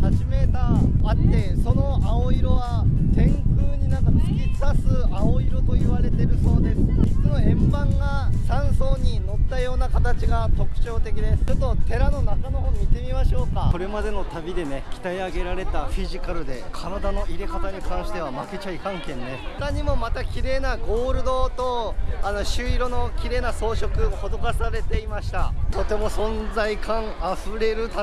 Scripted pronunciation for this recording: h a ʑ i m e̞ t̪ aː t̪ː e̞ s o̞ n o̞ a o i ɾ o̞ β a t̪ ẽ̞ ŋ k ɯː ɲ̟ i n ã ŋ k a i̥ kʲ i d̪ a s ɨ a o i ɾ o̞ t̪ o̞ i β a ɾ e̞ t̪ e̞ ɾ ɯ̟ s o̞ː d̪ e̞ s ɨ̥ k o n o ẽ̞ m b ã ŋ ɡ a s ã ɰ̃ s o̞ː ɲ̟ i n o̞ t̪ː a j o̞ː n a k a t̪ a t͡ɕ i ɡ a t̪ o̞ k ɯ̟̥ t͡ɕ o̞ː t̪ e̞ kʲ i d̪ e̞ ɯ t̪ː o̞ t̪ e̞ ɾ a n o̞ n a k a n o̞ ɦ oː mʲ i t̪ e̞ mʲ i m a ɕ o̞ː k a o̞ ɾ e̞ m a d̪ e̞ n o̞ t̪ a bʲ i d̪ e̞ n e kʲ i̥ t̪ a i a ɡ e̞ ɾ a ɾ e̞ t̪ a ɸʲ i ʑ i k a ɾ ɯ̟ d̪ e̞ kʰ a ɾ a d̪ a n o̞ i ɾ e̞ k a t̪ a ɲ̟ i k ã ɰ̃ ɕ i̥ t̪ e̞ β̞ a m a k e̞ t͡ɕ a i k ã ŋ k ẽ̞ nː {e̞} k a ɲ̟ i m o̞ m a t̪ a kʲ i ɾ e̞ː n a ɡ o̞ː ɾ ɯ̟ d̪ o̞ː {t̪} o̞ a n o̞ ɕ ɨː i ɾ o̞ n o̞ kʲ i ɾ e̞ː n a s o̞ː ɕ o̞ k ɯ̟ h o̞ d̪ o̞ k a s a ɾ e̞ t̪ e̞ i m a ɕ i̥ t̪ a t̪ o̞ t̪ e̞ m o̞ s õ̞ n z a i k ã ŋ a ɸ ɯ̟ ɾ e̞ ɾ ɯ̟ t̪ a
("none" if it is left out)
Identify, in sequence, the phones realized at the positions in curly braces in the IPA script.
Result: e̞, t̪

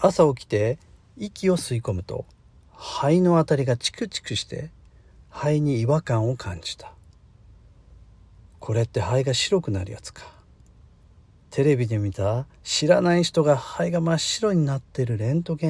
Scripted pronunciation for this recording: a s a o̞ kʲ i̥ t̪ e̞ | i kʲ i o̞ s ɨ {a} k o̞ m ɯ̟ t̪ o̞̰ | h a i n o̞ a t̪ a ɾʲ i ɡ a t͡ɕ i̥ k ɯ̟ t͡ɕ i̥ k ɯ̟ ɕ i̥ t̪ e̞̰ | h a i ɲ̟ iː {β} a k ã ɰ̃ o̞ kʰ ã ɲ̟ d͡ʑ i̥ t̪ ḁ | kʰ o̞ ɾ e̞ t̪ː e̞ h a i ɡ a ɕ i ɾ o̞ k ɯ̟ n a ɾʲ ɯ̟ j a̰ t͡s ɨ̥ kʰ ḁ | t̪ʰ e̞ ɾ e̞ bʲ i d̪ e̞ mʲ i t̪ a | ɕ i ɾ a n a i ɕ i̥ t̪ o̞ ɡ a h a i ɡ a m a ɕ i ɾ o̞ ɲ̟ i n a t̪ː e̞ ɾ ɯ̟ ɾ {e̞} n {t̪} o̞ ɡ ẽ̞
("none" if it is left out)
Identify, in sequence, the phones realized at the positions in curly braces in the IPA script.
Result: i, β, ẽ̞, t̪

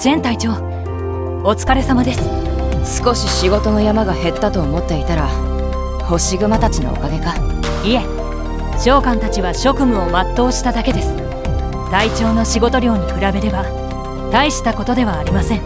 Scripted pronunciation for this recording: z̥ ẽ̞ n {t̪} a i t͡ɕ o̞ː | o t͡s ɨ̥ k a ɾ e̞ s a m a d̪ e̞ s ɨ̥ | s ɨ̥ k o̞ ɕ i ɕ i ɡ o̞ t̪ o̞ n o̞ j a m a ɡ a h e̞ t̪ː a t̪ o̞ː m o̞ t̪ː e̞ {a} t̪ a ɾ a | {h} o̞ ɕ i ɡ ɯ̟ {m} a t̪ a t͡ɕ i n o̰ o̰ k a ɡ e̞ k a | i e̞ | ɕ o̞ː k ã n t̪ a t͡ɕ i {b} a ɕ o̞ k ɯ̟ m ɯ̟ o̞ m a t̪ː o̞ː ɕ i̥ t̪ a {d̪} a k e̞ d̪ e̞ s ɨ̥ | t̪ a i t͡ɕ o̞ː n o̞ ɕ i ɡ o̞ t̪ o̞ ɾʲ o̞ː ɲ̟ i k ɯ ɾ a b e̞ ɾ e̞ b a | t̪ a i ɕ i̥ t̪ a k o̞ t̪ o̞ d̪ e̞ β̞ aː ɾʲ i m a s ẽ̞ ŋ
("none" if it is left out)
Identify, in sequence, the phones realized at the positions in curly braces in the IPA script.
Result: t̪, i, h, m, β, d̪

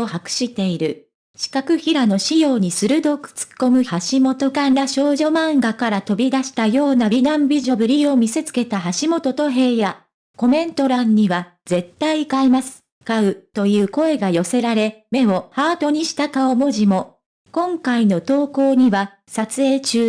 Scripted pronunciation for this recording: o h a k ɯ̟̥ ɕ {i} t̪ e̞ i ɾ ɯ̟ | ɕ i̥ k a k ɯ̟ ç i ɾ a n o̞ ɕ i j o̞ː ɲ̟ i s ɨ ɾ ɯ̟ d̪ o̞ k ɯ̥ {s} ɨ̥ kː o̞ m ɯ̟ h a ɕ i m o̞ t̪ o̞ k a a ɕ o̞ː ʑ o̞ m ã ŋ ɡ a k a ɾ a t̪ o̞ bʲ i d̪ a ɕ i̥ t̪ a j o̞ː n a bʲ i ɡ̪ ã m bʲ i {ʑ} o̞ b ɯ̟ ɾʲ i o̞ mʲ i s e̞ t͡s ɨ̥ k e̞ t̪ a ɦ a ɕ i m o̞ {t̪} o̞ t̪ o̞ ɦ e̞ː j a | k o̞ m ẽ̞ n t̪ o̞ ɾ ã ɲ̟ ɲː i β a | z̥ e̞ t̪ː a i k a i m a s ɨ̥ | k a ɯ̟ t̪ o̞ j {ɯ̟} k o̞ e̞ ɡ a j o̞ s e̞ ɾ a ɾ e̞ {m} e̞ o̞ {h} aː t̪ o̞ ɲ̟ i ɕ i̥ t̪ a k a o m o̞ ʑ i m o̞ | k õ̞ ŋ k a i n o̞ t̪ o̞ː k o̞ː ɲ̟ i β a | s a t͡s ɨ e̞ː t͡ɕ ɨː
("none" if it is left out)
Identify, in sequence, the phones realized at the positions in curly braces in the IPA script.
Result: i, t͡s, ʑ, t̪, ɯ̟ː, m, h

